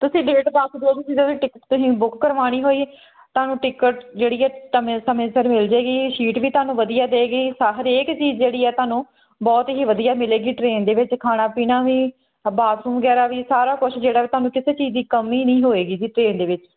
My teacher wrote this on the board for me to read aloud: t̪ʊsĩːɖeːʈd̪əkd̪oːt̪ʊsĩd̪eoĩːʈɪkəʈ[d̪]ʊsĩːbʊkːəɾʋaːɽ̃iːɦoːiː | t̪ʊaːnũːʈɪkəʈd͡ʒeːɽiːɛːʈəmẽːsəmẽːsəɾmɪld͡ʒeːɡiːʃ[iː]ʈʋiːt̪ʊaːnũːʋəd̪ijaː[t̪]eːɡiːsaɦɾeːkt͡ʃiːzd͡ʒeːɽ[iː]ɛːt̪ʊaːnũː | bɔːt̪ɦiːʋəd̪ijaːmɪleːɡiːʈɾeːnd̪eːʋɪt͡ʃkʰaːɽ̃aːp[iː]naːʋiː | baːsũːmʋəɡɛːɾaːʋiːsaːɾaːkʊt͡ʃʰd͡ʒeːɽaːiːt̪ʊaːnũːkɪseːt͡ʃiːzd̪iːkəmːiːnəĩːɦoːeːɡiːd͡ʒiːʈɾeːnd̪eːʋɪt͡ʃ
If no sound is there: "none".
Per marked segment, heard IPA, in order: t̪, iː, d̪, iː, iː

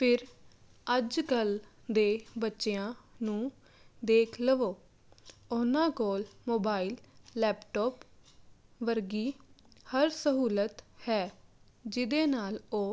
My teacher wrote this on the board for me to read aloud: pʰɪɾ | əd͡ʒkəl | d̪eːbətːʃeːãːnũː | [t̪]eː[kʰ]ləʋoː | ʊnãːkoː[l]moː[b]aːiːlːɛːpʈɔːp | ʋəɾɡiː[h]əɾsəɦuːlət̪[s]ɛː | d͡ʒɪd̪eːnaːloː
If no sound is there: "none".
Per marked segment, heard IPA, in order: d̪, kʰ, l, b, h, h

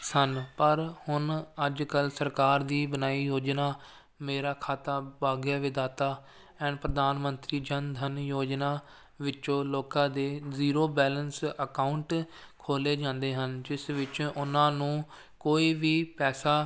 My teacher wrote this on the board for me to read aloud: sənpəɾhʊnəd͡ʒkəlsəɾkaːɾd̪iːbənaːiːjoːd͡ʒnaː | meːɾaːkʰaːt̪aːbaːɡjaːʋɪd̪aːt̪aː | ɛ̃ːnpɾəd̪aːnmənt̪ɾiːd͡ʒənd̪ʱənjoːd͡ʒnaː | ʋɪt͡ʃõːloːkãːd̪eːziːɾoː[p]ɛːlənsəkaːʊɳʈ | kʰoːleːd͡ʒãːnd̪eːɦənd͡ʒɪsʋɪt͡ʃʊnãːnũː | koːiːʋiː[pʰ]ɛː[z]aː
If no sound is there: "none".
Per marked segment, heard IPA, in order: b, p, s

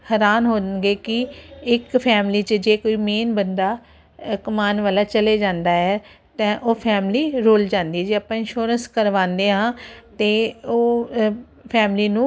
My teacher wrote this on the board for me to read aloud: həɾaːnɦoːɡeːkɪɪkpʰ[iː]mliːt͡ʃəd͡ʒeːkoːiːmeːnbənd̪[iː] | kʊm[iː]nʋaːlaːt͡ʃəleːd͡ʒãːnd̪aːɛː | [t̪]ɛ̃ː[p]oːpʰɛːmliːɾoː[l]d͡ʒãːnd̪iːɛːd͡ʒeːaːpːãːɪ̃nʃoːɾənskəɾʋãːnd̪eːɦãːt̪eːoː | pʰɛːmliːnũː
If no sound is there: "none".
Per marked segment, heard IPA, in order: ɛː, aː, aː, t̪, ʔ, l

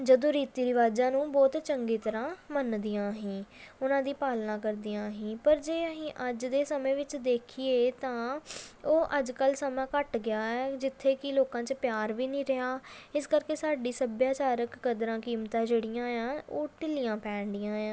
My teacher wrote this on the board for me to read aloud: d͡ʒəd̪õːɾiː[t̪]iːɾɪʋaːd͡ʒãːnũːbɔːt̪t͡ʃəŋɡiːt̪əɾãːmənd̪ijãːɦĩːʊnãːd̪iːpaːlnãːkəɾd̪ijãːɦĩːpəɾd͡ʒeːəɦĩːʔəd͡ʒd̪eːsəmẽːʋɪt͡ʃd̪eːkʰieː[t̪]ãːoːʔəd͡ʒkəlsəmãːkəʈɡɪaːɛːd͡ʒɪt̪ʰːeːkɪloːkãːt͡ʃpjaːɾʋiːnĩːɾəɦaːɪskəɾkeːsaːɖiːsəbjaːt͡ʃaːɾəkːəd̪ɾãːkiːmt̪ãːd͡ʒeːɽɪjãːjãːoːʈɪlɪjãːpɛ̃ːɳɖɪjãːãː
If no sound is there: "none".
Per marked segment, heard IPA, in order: t̪, t̪

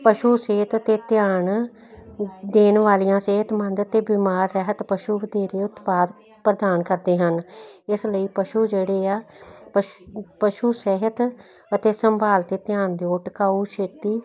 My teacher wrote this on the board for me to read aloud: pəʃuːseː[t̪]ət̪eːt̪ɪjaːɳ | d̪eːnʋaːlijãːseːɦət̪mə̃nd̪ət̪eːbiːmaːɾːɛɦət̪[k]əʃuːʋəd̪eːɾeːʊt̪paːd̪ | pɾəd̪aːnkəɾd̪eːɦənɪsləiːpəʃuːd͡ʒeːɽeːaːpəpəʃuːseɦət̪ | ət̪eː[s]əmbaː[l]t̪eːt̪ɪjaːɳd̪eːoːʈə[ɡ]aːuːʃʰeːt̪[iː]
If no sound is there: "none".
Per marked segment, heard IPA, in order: t̪, p, s, l, k, iː

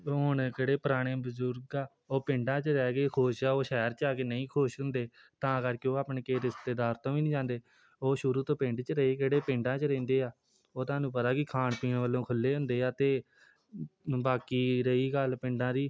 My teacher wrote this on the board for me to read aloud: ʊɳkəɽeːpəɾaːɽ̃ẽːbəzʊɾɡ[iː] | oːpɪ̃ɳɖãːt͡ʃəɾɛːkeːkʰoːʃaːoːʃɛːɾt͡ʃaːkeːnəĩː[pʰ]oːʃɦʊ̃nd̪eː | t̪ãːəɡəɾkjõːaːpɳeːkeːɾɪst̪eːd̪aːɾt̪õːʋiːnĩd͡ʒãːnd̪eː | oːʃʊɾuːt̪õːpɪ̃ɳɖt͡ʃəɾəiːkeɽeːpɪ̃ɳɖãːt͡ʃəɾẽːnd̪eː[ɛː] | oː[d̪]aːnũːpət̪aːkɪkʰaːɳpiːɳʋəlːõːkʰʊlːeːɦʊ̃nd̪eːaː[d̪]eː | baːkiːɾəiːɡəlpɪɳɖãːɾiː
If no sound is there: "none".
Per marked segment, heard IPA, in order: aː, kʰ, aː, t̪, t̪

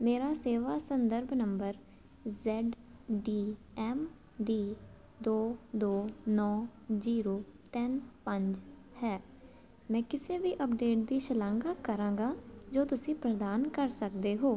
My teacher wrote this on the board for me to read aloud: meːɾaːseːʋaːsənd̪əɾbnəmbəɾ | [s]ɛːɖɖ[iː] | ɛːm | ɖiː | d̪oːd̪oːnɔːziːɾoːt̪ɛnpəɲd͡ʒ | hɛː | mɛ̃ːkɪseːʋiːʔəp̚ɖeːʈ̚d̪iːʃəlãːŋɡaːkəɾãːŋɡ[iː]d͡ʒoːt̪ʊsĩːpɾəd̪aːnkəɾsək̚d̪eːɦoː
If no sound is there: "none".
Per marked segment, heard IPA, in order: z, iː, aː

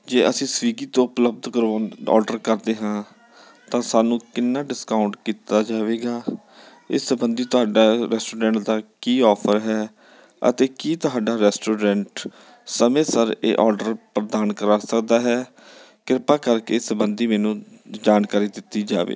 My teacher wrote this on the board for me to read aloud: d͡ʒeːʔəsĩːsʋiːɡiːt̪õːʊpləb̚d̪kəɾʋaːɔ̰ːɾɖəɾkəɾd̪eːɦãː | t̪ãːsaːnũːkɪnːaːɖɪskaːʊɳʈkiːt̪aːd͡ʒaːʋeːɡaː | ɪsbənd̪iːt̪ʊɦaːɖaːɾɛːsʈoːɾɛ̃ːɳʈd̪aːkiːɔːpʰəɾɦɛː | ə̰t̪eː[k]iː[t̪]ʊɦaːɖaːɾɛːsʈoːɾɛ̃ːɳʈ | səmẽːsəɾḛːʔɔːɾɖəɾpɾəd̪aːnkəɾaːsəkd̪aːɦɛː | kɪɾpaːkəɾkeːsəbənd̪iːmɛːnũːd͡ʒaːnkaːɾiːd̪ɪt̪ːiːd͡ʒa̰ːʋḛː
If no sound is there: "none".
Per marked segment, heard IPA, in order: k, t̪

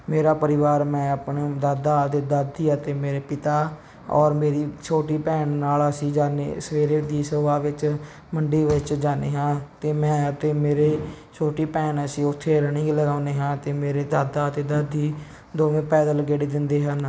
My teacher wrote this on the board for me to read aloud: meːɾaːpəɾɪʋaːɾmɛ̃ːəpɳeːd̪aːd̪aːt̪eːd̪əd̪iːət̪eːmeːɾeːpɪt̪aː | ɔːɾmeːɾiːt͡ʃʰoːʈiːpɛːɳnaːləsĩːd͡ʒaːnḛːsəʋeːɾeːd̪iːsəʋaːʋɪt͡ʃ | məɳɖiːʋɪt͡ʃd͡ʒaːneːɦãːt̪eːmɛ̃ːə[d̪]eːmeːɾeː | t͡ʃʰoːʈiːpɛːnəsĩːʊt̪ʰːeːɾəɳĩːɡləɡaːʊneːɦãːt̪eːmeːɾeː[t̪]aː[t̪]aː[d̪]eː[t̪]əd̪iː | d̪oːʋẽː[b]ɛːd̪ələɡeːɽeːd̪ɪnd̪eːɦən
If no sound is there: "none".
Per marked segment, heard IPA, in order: t̪, d̪, d̪, t̪, d̪, p

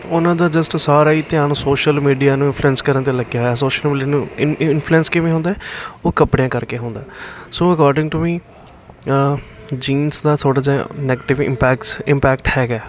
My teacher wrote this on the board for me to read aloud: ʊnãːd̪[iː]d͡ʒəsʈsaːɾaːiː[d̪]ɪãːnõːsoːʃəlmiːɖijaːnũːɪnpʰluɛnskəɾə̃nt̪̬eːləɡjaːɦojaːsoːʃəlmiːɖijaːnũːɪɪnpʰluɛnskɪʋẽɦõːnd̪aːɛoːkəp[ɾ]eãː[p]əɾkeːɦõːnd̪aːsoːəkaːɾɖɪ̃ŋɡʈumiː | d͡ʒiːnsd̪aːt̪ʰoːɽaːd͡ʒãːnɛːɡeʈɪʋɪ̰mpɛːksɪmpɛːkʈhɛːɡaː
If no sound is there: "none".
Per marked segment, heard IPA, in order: aː, t̪, ɽ, k

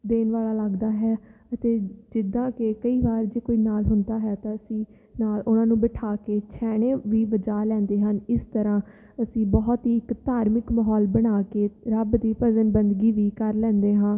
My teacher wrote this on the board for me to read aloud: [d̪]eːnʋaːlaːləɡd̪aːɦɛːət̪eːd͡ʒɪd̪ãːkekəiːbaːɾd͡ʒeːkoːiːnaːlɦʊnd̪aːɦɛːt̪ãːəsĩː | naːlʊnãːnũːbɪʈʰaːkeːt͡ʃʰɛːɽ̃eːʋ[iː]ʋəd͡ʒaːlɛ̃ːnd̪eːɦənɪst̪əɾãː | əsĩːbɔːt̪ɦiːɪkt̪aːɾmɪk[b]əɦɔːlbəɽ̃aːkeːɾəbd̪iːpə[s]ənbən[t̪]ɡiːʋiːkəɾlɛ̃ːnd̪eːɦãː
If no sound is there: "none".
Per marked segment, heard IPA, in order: d̪, iː, m, z, d̪

